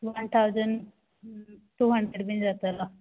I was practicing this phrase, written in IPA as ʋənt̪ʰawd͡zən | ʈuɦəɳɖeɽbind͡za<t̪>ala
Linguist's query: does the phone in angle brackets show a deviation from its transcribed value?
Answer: no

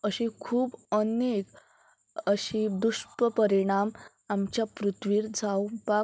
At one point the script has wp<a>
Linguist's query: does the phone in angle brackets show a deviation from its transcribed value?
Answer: no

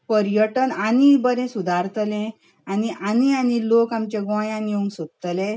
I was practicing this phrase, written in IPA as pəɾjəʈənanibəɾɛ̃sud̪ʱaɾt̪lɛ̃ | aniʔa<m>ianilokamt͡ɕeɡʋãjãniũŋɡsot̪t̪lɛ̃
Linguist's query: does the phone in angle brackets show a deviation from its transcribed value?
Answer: yes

